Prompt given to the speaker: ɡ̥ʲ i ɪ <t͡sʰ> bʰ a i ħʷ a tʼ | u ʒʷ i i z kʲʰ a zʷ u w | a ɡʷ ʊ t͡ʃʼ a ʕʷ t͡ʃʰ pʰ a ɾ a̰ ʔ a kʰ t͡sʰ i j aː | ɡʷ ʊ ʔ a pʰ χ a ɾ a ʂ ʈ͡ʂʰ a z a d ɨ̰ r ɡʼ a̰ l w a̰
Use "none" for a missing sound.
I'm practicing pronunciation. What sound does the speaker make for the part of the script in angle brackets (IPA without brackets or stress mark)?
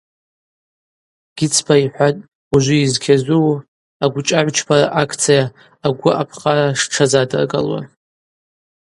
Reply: t͡sʰ